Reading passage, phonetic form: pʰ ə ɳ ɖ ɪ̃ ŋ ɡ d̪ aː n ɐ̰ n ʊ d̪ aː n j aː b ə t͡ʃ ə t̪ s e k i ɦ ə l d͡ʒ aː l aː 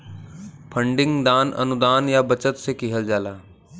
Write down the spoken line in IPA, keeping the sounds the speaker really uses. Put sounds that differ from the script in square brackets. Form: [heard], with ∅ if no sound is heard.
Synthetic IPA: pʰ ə ɳ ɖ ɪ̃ ŋ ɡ d̪ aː n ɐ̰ n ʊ d̪ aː n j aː b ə t͡ʃ ə t̪ s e k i ɦ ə l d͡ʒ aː l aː